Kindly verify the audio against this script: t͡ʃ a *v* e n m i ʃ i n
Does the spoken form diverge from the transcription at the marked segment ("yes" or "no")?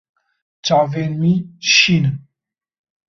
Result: no